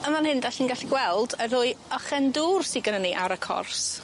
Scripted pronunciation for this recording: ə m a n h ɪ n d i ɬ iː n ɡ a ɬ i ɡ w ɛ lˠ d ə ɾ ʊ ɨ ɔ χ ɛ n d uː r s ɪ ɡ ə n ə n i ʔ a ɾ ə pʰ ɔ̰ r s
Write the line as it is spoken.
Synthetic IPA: ə m a n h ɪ n d a ɬ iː n ɡ a ɬ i ɡ w ɛ lˠ d ə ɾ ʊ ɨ ɔ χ ɛ n d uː r s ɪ ɡ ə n ə n i ʔ a ɾ ə kʰ ɔ̰ r s